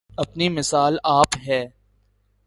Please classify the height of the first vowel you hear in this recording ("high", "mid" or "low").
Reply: low